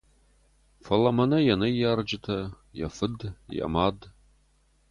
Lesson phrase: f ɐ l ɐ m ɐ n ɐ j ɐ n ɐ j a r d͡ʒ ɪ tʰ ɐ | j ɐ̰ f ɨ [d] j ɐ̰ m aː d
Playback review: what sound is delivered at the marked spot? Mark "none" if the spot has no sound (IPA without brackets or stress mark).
d